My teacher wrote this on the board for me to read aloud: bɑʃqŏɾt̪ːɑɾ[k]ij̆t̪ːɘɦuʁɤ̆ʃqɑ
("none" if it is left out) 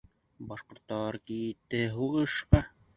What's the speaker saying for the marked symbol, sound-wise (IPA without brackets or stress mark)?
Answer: k